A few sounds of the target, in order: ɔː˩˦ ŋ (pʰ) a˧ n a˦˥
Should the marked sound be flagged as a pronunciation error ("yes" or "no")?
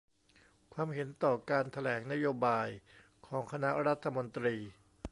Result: yes